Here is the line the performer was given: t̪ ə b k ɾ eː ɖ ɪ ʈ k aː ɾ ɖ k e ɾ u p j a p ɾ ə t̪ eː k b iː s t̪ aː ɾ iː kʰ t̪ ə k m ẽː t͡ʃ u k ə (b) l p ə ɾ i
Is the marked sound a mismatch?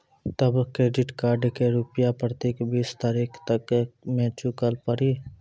yes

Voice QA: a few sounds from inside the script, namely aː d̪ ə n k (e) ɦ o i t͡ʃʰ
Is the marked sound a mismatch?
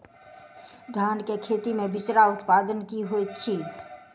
yes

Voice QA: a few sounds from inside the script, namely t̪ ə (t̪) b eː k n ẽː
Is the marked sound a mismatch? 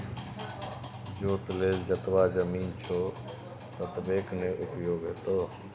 no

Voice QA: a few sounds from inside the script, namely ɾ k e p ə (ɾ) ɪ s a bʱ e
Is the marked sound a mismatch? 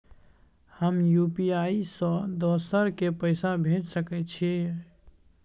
yes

